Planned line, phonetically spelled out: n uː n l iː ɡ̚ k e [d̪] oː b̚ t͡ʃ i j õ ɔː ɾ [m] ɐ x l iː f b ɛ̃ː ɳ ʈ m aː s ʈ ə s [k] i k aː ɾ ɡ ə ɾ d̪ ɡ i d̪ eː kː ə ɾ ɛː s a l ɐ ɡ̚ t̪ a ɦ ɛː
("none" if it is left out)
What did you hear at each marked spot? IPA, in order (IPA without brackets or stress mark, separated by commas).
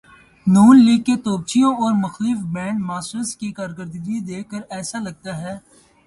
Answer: t̪, m, k